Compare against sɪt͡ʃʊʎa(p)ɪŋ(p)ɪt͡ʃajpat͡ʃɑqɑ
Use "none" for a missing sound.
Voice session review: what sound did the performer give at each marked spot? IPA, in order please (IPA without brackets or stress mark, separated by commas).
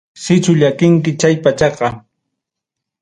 k, k